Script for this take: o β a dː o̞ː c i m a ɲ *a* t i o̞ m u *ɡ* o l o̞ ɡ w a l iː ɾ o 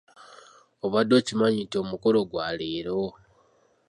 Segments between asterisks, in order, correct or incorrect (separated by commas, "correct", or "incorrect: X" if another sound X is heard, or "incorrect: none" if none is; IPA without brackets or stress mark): incorrect: i, incorrect: k